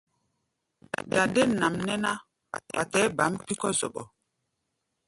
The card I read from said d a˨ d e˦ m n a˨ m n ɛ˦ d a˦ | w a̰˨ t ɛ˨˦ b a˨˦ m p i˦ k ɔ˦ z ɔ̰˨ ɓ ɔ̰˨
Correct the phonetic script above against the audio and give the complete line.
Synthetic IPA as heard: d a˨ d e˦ n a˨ m n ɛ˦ n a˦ | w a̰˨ t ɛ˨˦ b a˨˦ m p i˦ k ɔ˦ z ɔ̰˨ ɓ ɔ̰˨